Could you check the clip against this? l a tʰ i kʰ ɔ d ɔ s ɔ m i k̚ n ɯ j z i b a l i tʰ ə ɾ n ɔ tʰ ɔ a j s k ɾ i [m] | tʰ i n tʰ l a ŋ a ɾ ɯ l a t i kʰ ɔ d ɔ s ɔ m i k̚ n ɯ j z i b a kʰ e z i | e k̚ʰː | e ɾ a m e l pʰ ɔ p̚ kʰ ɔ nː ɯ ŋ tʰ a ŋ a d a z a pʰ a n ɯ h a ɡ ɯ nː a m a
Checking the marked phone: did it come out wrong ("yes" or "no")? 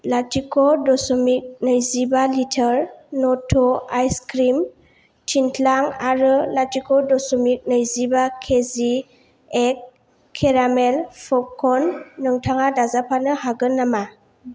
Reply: no